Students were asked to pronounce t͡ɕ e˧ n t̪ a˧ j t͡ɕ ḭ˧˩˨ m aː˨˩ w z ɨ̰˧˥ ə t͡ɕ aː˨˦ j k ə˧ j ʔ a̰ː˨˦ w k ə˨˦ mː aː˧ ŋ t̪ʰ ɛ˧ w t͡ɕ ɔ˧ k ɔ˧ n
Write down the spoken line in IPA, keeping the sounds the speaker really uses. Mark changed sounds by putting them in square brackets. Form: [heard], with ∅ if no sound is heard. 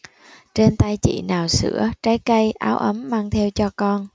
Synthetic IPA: t͡ɕ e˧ n t̪ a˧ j t͡ɕ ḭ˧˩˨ [n] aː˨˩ w [s] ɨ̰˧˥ ə t͡ɕ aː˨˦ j k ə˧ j ʔ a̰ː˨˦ w [ʔ] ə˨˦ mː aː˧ ŋ t̪ʰ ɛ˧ w t͡ɕ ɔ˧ k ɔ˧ n

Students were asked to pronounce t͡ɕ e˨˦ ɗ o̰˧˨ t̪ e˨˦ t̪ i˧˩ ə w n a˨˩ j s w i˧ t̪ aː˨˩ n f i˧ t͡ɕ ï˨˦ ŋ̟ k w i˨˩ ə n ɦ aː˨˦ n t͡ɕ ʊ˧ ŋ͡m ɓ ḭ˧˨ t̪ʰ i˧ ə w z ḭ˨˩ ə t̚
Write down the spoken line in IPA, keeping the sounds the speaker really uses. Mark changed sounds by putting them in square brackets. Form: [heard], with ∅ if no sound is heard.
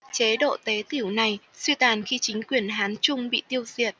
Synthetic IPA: t͡ɕ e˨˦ ɗ o̰˧˨ t̪ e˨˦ t̪ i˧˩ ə w n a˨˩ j s w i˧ t̪ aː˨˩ n [x] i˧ t͡ɕ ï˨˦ ŋ̟ k w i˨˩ ə n ɦ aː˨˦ n t͡ɕ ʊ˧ ŋ͡m ɓ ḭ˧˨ [t̪] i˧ ə w z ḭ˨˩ ə t̚

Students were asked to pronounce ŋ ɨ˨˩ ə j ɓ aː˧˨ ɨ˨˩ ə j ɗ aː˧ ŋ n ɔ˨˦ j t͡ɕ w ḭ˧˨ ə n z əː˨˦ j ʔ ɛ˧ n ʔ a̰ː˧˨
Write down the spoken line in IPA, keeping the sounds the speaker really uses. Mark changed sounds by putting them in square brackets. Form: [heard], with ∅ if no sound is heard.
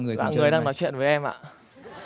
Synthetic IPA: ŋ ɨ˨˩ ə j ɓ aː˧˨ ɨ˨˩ ə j ɗ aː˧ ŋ n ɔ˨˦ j t͡ɕ w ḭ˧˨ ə n [v] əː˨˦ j ʔ ɛ˧ [m] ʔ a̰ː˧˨

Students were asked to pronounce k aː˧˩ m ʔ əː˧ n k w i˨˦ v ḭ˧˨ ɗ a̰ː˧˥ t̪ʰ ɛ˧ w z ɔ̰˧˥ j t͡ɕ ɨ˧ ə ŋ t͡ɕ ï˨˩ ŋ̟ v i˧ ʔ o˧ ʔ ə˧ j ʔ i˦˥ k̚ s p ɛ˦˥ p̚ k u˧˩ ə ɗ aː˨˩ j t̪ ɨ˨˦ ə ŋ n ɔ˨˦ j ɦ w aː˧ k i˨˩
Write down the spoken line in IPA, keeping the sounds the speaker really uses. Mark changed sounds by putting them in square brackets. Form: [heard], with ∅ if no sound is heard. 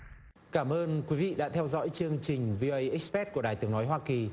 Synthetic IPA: k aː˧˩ m ʔ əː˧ n k w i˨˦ v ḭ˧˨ ɗ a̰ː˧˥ t̪ʰ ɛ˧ w z ɔ̰˧˥ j t͡ɕ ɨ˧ ə ŋ t͡ɕ ï˨˩ ŋ̟ v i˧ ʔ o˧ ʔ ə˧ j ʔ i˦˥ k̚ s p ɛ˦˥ [t̚] k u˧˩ ə ɗ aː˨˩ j t̪ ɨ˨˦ ə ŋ n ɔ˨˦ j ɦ w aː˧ k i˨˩

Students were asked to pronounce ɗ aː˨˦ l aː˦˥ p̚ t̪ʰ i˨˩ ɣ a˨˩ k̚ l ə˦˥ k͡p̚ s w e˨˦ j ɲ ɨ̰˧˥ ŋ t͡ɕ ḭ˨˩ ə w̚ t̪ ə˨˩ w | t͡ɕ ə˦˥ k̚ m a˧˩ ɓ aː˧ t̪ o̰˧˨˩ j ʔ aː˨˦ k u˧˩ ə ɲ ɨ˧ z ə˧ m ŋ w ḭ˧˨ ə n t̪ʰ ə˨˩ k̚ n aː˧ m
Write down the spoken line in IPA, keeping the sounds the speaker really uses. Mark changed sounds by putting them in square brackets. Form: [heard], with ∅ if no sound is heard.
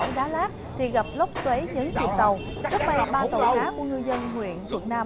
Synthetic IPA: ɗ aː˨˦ l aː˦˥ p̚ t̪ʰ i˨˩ ɣ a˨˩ [p̚] l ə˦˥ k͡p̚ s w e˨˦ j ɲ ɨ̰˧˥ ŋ t͡ɕ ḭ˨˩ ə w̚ t̪ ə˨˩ w | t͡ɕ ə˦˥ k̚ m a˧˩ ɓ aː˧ t̪ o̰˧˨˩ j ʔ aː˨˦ k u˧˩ ə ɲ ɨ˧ z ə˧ [n] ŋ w ḭ˧˨ ə n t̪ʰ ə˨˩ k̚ n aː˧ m

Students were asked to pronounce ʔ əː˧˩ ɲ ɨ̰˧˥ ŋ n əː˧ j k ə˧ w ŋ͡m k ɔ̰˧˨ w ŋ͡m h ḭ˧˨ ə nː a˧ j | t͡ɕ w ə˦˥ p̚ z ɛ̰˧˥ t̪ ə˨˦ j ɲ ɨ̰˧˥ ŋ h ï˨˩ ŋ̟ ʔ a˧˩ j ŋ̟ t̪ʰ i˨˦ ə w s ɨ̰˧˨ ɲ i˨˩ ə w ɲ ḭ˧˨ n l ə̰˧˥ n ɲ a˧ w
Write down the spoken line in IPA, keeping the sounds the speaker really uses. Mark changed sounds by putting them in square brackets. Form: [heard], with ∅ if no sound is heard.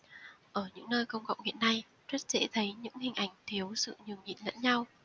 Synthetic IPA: ʔ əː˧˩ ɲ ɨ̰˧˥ ŋ n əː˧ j k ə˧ w ŋ͡m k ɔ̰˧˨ w ŋ͡m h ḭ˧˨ ə nː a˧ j | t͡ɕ w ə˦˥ [t̚] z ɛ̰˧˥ [t̪ʰ] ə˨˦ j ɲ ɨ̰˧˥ ŋ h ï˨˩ ŋ̟ ʔ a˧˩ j ŋ̟ t̪ʰ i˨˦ ə w s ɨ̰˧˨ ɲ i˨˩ ə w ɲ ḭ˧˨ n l ə̰˧˥ n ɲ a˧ w

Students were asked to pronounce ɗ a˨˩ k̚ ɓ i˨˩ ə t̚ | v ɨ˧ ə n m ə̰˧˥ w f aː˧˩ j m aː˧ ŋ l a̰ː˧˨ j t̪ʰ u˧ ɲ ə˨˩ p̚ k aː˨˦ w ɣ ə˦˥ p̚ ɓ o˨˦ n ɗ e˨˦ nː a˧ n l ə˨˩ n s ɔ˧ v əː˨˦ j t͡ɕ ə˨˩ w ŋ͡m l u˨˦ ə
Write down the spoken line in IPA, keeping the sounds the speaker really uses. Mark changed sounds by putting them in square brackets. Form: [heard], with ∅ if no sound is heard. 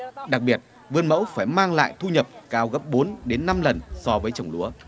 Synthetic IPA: ɗ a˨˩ k̚ ɓ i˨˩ ə t̚ | v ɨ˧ ə n m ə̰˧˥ w f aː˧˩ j m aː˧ ŋ l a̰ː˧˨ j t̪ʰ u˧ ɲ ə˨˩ p̚ k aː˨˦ w ɣ ə˦˥ p̚ ɓ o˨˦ n ɗ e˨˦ nː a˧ [m] l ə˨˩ n s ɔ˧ v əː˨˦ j t͡ɕ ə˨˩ w ŋ͡m l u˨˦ ə

